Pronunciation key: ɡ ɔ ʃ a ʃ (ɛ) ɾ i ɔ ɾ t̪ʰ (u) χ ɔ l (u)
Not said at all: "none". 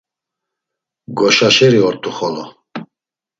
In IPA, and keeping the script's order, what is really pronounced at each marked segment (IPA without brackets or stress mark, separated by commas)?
ɛ, u, ɔ